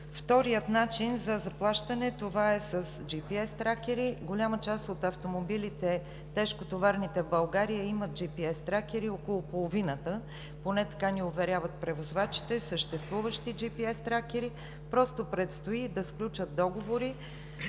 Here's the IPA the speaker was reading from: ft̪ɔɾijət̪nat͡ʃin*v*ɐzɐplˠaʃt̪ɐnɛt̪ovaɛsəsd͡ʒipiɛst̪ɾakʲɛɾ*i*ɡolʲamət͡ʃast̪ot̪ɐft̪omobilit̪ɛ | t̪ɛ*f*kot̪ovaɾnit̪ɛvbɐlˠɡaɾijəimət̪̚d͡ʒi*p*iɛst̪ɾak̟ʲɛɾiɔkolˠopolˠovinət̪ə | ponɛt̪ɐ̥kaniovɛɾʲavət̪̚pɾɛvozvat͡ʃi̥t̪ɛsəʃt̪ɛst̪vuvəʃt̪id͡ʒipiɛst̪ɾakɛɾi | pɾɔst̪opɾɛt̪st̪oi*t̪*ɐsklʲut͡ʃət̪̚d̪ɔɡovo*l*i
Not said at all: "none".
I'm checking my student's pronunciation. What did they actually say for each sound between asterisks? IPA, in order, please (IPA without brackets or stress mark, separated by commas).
z, i, ʃ, p, d̪, ɾ